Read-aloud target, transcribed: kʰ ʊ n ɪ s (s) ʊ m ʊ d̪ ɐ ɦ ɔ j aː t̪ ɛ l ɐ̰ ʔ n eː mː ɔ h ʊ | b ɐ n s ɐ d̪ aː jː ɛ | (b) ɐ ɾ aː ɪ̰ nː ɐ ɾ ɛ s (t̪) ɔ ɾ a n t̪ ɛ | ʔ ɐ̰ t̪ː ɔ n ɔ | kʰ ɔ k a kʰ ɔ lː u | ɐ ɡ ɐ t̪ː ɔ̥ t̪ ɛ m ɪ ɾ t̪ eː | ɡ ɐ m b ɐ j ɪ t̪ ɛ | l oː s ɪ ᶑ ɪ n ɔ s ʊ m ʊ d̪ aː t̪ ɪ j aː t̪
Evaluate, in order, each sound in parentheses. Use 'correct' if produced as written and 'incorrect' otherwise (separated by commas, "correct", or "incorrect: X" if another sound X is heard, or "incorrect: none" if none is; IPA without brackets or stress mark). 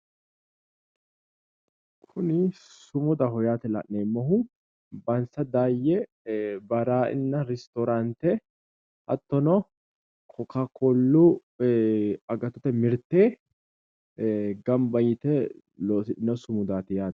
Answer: correct, correct, correct